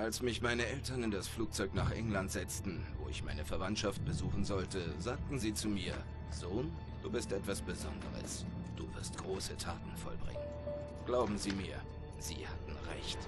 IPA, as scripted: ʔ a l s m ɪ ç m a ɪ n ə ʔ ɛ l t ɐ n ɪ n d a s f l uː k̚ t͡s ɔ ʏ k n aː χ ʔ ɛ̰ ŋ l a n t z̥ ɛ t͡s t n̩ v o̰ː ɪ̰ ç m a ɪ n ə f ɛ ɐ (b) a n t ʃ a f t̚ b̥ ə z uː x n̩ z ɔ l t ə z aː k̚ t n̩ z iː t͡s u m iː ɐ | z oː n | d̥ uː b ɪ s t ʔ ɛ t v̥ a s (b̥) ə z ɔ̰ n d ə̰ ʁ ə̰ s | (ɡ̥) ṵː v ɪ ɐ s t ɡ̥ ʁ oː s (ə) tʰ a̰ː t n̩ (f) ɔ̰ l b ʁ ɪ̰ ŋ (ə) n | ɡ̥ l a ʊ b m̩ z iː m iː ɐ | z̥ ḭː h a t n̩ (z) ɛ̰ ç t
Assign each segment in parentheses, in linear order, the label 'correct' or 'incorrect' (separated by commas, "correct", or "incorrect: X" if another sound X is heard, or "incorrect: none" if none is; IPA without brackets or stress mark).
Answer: incorrect: v, correct, incorrect: d̥, correct, correct, correct, incorrect: ʁ